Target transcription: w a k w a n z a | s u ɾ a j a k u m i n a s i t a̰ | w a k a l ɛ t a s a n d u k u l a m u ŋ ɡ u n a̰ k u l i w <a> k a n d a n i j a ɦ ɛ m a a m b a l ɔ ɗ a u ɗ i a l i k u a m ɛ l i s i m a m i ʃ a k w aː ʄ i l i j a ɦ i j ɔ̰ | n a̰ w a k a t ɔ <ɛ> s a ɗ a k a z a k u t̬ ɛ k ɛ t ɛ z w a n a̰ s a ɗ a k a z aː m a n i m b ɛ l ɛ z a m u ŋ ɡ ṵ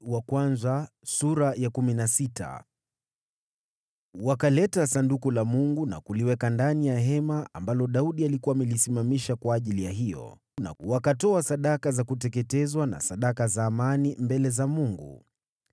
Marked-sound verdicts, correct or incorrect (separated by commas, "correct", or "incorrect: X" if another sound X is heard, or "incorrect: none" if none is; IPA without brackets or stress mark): incorrect: ɛ, incorrect: a